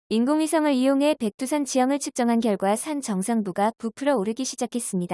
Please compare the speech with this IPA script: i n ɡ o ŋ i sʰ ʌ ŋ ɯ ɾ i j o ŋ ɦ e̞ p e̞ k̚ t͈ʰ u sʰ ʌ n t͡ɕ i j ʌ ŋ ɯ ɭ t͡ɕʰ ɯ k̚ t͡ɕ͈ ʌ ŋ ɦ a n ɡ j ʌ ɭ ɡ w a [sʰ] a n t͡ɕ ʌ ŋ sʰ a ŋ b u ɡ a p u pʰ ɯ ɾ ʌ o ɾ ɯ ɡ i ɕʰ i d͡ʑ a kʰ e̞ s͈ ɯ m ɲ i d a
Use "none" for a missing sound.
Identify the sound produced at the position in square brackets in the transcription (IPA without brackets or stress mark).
sʰ